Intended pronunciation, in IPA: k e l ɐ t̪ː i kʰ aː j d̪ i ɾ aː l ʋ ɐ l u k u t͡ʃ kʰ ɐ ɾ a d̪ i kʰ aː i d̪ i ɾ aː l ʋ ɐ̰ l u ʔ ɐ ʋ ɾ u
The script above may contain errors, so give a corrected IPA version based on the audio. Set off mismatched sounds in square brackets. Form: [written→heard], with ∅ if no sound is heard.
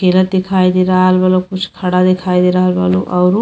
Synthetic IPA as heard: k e l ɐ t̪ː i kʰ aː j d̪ i ɾ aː l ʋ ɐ l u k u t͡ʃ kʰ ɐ [ɾ→ɽ] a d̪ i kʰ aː [i→j] d̪ i ɾ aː l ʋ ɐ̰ l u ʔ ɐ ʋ ɾ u